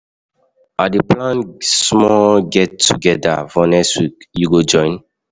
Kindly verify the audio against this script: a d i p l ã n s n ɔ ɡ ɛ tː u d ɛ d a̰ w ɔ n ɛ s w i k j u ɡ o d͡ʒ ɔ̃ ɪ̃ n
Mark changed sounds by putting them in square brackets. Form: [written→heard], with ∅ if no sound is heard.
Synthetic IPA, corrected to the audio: a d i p l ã n s [n→m] ɔ ɡ ɛ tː u [d→ɡ] ɛ d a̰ [w→v] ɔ n ɛ s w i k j u ɡ o d͡ʒ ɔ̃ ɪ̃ n